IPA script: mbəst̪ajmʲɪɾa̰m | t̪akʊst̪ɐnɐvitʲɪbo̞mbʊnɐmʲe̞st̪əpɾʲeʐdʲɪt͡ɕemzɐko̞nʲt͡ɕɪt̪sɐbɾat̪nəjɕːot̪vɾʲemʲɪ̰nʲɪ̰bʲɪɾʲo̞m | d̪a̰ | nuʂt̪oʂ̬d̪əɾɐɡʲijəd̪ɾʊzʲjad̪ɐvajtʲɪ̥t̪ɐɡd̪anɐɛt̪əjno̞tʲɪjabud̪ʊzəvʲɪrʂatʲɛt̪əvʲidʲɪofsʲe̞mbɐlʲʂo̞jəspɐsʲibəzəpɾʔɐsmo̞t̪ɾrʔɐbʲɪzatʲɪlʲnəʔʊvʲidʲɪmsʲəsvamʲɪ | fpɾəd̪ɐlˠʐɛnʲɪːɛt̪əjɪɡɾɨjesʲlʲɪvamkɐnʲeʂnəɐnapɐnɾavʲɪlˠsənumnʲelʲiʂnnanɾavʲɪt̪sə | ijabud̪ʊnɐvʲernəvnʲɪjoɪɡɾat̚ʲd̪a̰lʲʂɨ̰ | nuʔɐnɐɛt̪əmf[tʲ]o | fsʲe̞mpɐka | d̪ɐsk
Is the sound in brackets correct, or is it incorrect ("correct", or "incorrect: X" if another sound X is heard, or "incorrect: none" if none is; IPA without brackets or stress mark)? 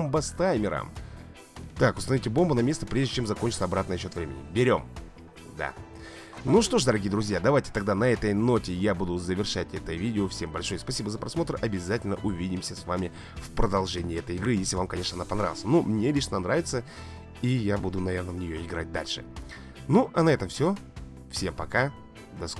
incorrect: sʲ